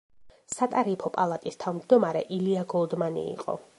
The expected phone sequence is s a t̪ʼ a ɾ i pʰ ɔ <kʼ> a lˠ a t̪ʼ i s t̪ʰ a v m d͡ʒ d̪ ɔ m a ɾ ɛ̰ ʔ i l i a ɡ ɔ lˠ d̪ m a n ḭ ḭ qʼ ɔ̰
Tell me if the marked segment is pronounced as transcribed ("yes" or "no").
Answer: no